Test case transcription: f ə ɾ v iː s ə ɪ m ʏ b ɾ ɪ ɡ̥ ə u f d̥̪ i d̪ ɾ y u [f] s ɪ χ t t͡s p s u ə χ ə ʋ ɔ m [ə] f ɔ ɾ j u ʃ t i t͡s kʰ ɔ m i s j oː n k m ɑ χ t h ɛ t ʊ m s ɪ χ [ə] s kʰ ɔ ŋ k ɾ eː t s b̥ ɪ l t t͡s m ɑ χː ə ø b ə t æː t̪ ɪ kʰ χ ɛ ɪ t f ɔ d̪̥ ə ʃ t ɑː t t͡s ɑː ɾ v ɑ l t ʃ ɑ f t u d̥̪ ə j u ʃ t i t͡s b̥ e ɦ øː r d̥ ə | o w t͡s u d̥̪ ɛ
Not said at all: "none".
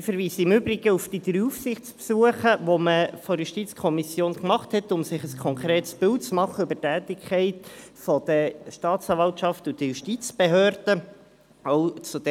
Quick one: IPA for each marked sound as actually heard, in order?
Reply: f, ə, ə

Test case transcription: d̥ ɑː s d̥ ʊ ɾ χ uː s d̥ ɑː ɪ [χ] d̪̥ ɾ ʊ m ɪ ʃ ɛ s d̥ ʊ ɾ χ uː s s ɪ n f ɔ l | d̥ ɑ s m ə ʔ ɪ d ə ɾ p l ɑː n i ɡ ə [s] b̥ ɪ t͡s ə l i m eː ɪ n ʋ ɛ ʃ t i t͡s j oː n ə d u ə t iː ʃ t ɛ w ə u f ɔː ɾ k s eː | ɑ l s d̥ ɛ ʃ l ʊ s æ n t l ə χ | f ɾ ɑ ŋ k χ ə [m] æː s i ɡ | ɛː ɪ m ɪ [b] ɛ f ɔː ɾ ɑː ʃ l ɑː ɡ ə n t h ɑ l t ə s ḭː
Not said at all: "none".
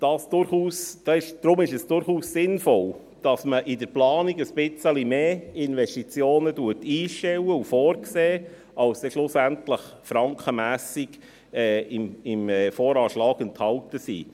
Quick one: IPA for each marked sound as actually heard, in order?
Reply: ʃ, s, m, m

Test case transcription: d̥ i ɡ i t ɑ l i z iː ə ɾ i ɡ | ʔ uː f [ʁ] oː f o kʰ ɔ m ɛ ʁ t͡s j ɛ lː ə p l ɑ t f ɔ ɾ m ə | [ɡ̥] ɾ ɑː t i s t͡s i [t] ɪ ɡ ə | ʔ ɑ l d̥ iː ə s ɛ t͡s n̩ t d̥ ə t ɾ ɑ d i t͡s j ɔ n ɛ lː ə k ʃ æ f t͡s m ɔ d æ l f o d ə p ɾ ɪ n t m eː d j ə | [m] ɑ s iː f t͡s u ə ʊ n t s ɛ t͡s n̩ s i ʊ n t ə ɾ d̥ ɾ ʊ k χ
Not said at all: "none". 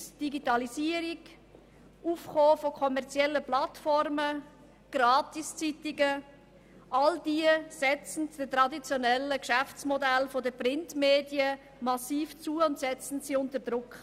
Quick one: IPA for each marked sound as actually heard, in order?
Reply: χ, ɡ̥, t, m

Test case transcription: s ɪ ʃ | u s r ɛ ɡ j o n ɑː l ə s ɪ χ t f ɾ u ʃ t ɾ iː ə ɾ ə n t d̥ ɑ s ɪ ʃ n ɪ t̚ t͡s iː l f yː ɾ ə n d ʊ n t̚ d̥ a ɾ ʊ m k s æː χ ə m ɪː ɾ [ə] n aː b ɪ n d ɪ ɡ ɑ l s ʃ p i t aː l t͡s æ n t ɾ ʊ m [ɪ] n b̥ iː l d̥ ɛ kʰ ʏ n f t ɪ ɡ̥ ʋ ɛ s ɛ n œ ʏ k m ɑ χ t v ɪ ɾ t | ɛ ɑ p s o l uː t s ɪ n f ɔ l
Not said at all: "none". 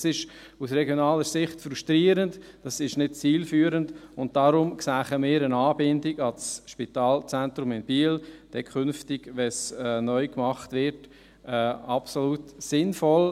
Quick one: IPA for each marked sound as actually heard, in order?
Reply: ə, ɪ

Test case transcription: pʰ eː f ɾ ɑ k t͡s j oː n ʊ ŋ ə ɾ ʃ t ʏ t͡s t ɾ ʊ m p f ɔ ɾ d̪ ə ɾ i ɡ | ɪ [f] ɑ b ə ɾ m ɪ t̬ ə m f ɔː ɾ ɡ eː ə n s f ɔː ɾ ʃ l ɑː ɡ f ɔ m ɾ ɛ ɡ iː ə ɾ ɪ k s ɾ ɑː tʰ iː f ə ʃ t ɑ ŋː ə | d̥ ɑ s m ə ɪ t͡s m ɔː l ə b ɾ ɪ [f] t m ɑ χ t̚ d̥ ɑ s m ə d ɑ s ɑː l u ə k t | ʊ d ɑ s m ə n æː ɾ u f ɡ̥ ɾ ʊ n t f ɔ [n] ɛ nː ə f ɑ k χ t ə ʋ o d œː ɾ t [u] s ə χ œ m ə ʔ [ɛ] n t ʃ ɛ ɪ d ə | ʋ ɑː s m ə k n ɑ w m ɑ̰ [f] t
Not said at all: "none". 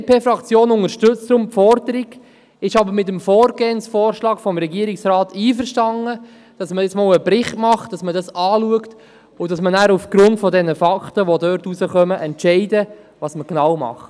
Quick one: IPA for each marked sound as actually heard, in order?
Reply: ʃ, χ, d, u, ɛ, χ

